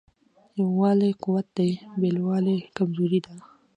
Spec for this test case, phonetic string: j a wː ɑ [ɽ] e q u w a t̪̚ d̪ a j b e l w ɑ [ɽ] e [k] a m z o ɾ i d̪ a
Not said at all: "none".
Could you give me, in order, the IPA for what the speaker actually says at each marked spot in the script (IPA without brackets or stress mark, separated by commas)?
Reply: l, l, k